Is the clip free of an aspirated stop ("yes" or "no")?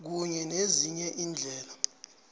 yes